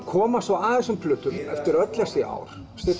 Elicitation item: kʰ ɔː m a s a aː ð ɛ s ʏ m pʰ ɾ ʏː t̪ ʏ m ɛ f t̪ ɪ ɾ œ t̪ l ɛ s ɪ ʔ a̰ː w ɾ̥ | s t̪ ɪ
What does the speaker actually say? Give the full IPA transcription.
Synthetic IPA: kʰ ɔː m a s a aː ð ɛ s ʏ m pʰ l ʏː t̪ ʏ m ɛ f t̪ ɪ ɾ œ t̪ l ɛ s ɪ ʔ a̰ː w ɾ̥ | s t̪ ɪ

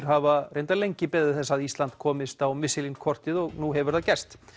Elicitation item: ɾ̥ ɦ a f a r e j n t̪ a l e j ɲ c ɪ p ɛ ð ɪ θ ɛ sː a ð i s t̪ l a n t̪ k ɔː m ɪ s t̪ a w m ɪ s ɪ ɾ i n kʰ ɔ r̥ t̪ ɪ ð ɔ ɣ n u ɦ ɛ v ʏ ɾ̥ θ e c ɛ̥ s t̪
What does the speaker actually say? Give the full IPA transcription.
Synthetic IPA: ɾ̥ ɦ a v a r e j n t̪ a l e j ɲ c ɪ p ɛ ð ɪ θ ɛ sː a ð i s t̪ l a n t̪ kʰ ɔː m ɪ s t̪ a w m ɪ s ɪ l i n kʰ ɔ r̥ t̪ ɪ ð ɔ ɣ n u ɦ ɛ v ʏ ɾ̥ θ a c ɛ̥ s t̪

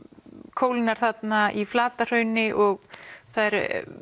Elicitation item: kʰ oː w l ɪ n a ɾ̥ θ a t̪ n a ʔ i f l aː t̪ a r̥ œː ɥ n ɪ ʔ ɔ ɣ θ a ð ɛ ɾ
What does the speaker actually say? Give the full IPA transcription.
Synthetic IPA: kʰ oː w l ɪ n a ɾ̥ θ a t̪ n a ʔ i f l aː t̪ a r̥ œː ɥ n ɪ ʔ ɔ ɣ θ a ð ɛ ɾ

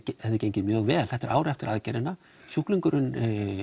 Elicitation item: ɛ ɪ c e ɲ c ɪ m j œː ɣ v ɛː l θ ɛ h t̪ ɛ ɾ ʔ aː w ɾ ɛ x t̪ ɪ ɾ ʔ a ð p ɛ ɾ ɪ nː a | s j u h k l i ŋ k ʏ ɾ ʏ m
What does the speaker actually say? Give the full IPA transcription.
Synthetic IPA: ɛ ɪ c e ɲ c ɪ m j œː ɣ v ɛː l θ ɛ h t̪ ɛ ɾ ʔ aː w ɾ ɛ f t̪ ɪ ɾ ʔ a ð c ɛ ɾ ɪ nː a | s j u h k l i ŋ k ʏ ɾ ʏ n

